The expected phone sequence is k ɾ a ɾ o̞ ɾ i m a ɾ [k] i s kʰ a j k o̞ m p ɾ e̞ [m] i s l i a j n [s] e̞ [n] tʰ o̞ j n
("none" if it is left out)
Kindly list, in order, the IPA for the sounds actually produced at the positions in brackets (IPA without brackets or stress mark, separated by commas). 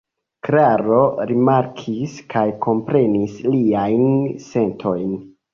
kʰ, n, s, n